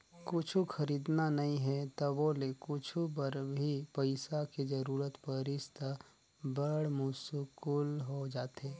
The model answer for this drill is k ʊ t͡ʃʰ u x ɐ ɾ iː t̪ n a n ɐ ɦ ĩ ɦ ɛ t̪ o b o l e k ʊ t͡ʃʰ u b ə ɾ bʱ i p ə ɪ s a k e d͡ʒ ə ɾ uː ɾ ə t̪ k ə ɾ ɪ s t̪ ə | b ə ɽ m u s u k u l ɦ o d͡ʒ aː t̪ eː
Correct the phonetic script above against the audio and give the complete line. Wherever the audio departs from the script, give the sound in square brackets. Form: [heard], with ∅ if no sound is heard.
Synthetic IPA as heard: k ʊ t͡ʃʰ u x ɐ ɾ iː [d̪] n a n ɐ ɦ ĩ ɦ ɛ t̪ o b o l e k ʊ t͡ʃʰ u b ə ɾ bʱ i p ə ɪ s a k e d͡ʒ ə ɾ uː ɾ ə t̪ [p] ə ɾ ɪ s t̪ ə | b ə ɽ m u s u k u l ɦ o d͡ʒ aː t̪ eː